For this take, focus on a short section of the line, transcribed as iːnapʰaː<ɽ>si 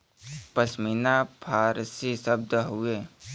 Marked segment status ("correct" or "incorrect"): incorrect